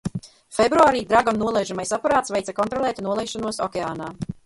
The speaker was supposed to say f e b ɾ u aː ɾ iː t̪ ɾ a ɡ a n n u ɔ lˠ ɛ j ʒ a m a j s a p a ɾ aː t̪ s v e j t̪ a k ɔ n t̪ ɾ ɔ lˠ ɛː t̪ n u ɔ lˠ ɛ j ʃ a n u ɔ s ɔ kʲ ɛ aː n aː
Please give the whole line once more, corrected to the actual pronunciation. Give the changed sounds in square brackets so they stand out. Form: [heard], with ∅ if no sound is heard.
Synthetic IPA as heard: f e b ɾ u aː ɾ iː [d̪] ɾ a ɡ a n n u ɔ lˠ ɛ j ʒ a m a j s a p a ɾ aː t̪ s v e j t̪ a k ɔ n t̪ ɾ ɔ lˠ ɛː t̪ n u ɔ lˠ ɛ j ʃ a n u ɔ s ɔ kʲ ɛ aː n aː